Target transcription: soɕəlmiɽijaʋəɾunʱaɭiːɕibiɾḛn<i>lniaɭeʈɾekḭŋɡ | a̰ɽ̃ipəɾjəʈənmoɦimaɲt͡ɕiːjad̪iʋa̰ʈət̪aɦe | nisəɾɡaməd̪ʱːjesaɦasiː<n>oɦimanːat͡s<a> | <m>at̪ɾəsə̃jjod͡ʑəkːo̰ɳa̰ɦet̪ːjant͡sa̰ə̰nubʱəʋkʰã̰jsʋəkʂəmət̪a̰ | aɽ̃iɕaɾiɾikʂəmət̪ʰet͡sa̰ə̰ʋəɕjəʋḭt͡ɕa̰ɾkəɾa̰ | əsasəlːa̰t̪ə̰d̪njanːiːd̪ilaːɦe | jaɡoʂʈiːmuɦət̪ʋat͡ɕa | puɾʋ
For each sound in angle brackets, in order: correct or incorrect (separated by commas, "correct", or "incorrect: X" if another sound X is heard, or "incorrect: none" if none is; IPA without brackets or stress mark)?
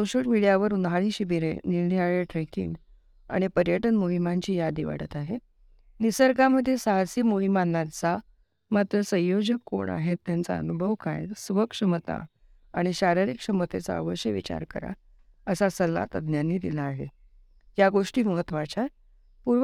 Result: correct, incorrect: m, correct, correct